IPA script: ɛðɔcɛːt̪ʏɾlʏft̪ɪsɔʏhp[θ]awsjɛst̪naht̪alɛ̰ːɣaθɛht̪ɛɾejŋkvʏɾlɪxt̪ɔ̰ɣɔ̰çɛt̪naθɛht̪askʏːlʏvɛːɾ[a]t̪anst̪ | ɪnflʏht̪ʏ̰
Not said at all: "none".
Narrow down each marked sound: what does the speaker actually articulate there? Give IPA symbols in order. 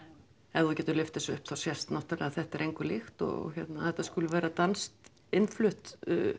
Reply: θ, a

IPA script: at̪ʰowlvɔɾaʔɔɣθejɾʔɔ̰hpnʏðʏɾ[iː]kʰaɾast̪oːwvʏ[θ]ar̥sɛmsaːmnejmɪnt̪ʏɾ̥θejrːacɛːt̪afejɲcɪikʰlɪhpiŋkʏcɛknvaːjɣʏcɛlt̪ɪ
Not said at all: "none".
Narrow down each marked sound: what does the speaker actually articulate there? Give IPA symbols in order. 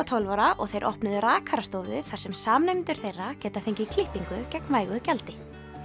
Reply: aː, θ

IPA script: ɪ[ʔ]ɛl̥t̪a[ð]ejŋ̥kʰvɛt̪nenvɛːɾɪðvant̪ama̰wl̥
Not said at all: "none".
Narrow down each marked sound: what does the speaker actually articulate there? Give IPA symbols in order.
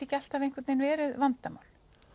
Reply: c, v

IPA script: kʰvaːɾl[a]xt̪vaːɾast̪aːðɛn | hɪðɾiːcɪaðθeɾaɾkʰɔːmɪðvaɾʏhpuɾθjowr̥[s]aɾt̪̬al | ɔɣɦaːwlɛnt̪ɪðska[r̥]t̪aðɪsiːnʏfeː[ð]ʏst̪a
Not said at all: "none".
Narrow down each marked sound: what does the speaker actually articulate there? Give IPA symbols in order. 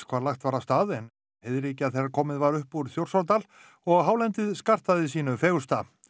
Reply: a, s, r̥, ɣ

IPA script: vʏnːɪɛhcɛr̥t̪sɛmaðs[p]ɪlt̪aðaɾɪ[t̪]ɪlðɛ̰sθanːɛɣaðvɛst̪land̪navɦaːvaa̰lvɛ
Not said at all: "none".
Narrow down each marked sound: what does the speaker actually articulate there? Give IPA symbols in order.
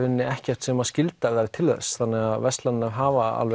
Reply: c, t̪ʰ

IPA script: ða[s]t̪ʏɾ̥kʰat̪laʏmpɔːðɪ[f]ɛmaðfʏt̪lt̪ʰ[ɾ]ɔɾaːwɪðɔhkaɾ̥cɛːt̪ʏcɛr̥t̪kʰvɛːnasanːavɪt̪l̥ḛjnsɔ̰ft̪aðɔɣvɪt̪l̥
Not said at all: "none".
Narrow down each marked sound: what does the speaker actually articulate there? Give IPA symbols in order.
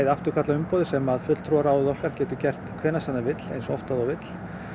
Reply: f, s, ɾ

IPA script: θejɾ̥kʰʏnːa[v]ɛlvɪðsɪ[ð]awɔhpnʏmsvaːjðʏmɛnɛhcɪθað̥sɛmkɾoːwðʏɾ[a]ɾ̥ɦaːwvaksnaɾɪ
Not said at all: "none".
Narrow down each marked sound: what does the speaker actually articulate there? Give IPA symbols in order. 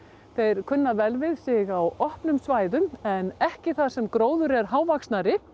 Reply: v, ɣ, ɛ

